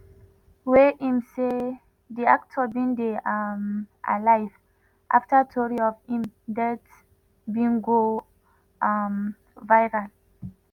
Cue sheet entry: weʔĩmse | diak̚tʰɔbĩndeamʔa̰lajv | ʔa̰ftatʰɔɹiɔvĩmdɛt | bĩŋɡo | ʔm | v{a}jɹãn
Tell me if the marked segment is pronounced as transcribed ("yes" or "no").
yes